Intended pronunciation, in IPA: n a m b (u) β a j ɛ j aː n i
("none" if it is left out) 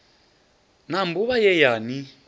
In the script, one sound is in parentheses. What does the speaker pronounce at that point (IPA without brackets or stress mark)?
u